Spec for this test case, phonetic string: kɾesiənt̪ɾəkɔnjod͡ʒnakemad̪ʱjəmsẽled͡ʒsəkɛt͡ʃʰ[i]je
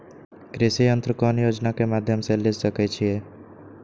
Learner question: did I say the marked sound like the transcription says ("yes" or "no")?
yes